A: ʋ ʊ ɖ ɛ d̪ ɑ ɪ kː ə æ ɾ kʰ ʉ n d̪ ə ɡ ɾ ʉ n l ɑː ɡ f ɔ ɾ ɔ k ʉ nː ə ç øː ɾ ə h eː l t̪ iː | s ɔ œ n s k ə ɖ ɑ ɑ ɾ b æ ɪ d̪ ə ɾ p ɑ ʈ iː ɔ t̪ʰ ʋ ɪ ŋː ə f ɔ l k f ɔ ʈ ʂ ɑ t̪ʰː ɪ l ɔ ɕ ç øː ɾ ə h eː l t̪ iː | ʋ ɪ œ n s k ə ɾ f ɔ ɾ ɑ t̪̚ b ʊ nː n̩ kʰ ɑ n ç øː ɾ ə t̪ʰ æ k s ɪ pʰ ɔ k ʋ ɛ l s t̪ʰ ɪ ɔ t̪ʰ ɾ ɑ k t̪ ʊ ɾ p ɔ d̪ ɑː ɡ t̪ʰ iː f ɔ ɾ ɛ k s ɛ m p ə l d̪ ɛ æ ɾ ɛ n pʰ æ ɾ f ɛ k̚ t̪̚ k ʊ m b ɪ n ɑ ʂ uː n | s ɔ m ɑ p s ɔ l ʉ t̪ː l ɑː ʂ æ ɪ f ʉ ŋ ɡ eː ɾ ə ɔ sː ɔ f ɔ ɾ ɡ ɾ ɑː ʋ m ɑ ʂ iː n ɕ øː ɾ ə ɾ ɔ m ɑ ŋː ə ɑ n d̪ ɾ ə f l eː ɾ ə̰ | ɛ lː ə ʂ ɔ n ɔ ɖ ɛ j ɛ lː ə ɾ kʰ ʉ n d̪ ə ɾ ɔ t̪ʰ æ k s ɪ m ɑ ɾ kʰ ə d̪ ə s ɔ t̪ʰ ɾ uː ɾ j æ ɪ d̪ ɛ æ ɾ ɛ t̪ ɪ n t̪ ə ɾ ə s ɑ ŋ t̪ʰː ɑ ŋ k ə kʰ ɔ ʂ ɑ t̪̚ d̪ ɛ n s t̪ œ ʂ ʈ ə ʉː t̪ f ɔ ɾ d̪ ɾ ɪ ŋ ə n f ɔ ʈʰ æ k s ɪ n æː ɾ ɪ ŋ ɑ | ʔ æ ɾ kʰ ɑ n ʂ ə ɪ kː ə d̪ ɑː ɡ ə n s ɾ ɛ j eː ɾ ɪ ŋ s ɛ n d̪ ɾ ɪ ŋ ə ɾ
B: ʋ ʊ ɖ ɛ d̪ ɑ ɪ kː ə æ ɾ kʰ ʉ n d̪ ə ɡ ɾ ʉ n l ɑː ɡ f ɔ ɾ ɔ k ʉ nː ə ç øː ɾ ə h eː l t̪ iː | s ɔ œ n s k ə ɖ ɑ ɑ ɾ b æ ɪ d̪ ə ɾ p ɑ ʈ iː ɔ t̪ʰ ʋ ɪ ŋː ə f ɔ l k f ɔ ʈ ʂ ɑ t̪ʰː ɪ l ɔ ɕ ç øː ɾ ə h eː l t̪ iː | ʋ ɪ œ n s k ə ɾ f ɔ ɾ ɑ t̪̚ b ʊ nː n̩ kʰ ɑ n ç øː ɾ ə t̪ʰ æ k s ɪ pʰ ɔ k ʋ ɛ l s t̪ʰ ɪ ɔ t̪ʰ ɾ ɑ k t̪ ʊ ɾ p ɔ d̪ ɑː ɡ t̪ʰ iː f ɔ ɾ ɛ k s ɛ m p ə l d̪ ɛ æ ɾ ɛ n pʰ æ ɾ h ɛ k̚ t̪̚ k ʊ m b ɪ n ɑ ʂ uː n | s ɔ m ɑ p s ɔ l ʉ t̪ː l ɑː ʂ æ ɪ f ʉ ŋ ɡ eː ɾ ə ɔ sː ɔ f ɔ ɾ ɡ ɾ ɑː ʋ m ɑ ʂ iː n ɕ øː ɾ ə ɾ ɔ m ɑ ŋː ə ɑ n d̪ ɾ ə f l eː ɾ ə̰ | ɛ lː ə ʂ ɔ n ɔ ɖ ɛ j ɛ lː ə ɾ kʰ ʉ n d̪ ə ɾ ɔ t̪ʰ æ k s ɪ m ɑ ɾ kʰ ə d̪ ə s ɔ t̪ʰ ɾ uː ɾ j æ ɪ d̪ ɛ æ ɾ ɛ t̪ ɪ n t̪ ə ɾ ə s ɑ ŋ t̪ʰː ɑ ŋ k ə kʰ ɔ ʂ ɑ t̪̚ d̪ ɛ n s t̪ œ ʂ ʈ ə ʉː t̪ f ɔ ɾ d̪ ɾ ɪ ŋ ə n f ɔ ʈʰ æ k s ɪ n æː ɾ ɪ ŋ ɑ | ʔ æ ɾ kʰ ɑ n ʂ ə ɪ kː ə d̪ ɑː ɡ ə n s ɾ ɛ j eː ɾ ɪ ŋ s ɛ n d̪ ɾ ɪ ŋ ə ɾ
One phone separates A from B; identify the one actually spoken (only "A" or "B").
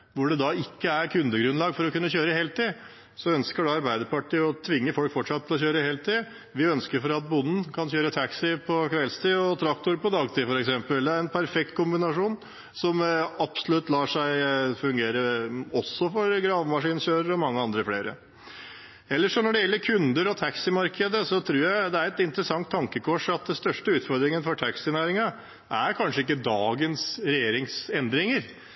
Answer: A